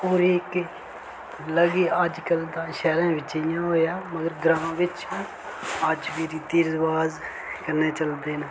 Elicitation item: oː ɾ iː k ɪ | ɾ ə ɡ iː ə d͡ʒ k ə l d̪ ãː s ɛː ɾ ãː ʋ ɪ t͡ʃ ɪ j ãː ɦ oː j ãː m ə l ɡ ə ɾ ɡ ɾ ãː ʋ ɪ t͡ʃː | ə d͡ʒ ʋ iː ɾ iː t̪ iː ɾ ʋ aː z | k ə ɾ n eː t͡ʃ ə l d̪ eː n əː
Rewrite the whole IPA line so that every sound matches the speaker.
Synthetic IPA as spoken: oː ɾ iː k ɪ | l ə ɡ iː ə d͡ʒ k ə l d̪ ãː ʃ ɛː ɾ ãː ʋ ɪ t͡ʃ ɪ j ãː ɦ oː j aː m ə ɡ ə ɾ ɡ ɾ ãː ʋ ɪ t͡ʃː | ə d͡ʒ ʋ iː ɾ iː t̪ iː ɾ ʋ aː z | k ə ɾ n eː t͡ʃ ə l d̪ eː n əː